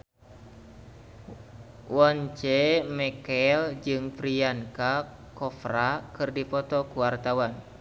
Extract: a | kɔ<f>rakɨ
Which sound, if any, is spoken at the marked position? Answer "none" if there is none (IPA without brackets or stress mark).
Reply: f